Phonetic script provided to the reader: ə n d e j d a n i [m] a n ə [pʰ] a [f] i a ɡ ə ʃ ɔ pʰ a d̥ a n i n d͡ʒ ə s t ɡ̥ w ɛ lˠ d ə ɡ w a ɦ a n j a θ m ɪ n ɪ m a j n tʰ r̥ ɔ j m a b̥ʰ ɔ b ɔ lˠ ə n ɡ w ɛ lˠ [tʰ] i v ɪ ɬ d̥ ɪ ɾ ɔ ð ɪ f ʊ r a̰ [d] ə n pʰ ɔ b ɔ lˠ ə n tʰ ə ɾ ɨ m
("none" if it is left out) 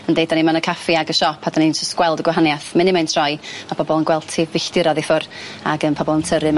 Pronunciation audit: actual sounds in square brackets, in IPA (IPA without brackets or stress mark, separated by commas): m, kʰ, f, tʰ, ɡ